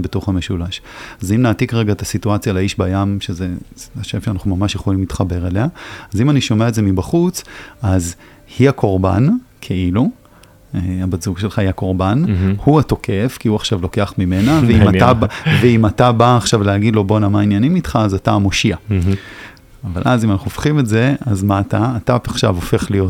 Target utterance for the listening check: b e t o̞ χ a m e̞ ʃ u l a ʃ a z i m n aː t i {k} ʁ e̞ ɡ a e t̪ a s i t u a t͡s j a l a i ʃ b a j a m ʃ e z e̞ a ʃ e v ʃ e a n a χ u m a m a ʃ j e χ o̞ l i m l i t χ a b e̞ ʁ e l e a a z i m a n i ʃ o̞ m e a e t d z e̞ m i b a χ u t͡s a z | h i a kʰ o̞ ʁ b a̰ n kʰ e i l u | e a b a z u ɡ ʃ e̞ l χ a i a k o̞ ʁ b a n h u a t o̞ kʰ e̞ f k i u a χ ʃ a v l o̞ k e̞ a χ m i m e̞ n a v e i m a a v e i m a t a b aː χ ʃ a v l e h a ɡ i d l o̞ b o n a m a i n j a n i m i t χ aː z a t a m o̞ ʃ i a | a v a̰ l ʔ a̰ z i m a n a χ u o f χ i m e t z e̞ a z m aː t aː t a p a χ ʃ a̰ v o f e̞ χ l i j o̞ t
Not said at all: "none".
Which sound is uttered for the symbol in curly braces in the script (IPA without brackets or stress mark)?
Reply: k